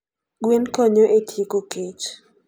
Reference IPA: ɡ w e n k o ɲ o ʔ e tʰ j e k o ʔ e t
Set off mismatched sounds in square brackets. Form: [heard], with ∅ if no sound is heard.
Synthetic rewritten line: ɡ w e n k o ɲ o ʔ e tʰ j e k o [k] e [t͡ʃ]

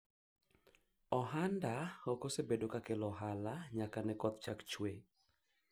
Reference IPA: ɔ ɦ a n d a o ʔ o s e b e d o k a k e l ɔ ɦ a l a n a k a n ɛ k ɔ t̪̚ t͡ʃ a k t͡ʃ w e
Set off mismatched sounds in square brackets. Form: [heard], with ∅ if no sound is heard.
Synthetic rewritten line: ɔ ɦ a n d a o [k] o s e b e d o k a k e l ɔ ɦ a l a [ɲ] a k a n ɛ k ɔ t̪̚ t͡ʃ a k t͡ʃ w e

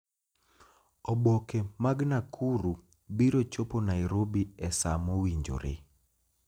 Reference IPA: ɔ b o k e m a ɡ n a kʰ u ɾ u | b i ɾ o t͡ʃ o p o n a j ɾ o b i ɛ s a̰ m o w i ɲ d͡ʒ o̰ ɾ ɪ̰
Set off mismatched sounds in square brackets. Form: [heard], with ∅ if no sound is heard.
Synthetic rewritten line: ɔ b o k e m a ɡ n a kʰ u ɾ u | b i ɾ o t͡ʃ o p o n a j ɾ o b i ɛ s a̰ m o w i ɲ d͡ʒ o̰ ɾ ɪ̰

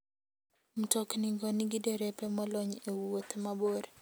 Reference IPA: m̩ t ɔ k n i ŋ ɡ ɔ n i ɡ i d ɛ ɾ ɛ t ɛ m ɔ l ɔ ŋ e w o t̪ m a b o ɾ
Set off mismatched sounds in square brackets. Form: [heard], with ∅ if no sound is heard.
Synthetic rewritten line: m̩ t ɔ k n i ŋ ɡ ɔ n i ɡ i d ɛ ɾ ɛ [p] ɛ m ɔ l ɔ [ɲ] e w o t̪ m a b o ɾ

